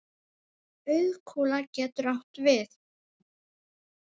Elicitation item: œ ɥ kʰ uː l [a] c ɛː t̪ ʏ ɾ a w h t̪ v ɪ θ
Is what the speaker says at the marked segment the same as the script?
yes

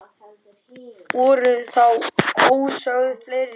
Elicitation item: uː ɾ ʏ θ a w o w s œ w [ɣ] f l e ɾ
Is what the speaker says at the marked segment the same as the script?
no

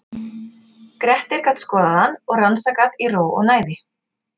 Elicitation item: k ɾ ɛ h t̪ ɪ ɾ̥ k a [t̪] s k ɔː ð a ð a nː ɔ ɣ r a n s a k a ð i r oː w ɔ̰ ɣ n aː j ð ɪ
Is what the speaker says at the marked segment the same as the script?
yes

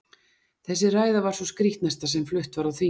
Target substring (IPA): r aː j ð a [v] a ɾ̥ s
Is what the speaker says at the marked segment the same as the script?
yes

